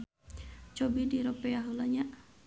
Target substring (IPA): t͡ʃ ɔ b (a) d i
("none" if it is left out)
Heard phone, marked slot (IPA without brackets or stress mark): i